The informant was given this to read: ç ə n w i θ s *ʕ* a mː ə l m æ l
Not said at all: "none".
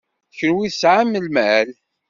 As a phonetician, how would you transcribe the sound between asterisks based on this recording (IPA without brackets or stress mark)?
ʕ